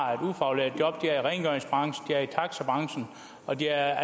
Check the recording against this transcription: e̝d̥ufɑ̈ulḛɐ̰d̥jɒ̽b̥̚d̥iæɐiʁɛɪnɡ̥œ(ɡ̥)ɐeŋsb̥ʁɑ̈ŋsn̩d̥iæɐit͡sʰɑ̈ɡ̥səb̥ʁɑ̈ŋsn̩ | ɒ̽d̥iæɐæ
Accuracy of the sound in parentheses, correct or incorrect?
incorrect